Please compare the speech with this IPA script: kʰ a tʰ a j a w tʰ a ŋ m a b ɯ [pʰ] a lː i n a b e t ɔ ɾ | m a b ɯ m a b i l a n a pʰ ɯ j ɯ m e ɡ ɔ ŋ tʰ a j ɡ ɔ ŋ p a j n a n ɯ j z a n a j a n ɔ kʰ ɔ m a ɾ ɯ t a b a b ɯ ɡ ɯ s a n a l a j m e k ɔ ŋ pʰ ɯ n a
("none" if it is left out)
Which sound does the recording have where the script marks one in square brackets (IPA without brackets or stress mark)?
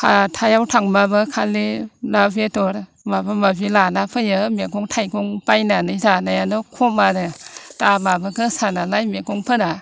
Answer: kʰ